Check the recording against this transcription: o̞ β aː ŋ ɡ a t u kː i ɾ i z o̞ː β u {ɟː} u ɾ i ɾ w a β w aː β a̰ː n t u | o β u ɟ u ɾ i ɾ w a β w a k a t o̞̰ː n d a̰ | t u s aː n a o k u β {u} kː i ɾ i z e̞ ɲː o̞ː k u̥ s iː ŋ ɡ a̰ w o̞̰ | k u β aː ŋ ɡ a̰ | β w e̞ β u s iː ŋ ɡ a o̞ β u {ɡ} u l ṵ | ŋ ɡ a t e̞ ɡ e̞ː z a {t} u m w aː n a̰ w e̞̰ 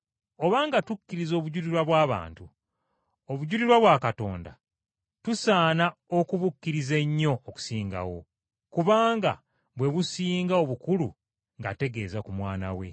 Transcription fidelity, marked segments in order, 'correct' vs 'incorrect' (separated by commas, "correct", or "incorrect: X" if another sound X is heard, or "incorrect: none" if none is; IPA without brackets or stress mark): incorrect: ɟ, correct, incorrect: k, incorrect: k